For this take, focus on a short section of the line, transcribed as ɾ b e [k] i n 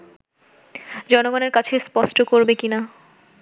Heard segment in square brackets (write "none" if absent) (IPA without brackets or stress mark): k